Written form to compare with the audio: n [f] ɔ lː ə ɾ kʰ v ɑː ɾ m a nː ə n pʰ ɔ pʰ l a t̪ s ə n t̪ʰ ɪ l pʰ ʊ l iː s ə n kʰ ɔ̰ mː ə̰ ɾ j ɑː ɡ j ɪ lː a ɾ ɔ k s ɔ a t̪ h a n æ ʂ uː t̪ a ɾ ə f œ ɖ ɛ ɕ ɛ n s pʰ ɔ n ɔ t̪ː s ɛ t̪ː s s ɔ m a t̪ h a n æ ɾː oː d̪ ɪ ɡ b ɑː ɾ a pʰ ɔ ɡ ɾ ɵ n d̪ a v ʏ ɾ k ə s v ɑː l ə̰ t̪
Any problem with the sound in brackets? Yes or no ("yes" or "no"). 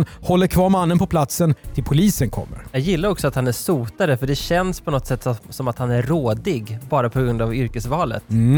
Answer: yes